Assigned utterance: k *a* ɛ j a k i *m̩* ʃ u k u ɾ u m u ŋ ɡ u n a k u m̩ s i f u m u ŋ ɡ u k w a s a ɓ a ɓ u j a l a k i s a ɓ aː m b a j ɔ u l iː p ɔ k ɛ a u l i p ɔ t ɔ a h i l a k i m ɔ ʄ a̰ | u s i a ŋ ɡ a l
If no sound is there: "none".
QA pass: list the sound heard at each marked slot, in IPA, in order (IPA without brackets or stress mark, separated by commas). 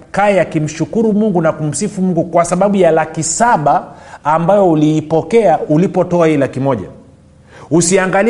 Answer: a, m̩